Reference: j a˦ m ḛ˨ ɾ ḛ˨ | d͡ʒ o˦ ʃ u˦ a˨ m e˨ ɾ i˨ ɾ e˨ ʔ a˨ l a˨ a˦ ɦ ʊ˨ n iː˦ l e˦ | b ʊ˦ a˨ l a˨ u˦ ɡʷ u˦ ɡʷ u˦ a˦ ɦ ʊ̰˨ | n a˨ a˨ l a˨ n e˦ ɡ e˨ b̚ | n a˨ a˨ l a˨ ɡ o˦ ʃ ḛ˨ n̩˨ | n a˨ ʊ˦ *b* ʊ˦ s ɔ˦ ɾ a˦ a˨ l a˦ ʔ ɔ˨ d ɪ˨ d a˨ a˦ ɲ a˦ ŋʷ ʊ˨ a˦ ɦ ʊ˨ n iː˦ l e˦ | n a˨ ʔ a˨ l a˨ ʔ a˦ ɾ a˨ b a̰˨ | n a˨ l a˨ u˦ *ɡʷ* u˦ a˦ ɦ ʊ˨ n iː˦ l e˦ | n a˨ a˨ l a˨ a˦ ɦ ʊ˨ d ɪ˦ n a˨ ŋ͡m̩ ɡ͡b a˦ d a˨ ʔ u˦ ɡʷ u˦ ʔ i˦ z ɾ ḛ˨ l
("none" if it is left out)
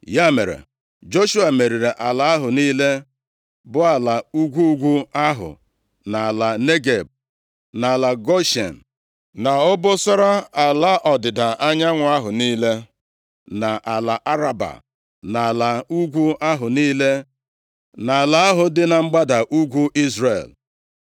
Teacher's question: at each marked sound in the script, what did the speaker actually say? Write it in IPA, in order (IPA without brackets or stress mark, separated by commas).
b, ɡʷ